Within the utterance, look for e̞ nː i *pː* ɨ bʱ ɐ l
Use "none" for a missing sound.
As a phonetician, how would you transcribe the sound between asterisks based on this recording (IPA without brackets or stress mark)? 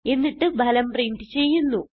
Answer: ʈː